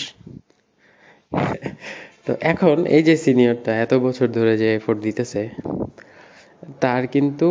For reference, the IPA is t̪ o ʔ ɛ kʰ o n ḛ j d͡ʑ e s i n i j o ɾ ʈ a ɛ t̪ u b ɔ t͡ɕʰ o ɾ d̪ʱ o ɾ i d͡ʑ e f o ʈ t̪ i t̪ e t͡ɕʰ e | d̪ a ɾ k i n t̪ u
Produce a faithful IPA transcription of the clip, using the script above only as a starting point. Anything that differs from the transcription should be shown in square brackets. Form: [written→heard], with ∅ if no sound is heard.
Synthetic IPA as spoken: t̪ o ʔ ɛ kʰ o n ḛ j d͡ʑ e s i n i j o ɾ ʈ a ɛ t̪ [u→o] b ɔ t͡ɕʰ o ɾ d̪ʱ o ɾ [i→e] d͡ʑ e f o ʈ [t̪→d̪] i t̪ e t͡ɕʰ e | [d̪→t̪] a ɾ k i n t̪ u